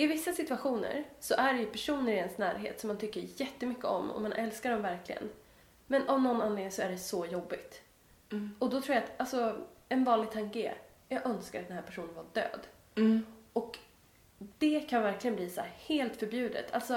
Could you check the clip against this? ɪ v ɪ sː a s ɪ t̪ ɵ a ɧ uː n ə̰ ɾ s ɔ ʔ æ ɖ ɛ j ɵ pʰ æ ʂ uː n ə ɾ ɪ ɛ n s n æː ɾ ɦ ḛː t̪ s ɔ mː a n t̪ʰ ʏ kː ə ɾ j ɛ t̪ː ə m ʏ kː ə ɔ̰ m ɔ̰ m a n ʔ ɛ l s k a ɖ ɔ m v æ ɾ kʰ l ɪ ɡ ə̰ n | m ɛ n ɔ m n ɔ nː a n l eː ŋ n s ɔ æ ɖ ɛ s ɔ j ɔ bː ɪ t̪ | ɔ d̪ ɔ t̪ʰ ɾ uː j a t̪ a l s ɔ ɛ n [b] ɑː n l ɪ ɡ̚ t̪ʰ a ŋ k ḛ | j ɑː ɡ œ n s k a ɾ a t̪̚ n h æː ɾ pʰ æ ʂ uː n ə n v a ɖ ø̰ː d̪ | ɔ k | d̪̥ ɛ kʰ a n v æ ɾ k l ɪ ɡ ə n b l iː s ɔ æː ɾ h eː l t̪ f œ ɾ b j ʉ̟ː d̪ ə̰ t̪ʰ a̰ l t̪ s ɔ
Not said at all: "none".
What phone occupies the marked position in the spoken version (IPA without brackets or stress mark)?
v